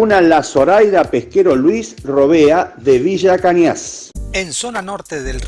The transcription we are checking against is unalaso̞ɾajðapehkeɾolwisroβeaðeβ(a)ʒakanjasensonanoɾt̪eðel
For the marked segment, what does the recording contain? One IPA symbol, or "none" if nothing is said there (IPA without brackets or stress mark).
i